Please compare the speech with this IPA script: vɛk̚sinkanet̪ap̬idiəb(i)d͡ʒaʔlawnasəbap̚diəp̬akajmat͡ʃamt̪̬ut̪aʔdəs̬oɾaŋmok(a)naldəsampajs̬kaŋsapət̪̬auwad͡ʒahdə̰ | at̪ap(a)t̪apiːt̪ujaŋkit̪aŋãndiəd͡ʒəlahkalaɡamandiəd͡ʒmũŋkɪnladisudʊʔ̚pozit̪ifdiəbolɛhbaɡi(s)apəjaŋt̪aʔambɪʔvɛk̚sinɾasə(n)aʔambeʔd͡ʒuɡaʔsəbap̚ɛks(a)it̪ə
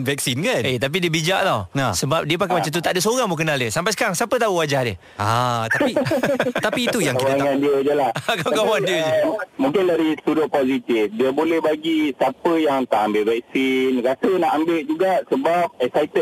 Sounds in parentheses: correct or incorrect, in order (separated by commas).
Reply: correct, incorrect, incorrect, correct, correct, correct